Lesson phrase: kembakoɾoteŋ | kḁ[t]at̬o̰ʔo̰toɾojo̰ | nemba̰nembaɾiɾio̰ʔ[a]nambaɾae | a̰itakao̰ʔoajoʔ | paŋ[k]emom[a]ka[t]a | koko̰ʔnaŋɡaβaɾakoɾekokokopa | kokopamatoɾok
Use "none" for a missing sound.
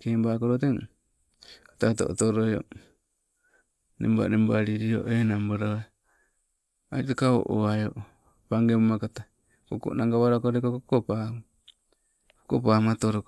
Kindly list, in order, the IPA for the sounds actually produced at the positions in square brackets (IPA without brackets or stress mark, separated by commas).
t, e, ɡ, a, t